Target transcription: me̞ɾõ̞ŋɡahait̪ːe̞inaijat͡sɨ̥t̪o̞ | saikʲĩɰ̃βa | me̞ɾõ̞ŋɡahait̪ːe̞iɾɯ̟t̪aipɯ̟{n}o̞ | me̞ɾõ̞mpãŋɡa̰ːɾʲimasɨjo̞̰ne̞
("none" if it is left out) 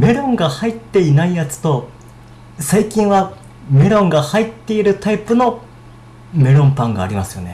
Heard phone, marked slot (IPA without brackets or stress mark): n